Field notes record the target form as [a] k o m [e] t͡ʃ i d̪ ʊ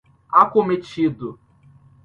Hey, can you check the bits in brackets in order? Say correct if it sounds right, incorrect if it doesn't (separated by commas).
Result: correct, correct